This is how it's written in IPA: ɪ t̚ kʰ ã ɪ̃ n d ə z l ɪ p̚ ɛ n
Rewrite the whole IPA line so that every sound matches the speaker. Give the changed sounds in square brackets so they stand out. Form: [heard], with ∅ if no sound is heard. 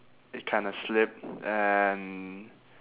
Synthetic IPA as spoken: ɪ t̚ kʰ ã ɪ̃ n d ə [s] l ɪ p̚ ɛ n